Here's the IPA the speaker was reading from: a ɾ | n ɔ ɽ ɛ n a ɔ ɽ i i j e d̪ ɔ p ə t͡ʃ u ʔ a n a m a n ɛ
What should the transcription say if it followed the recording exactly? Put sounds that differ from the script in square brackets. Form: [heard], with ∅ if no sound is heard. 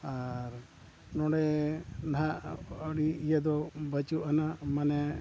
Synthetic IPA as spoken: a ɾ | n ɔ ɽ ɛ n a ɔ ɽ i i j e d̪ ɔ [b] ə t͡ʃ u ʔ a n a m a n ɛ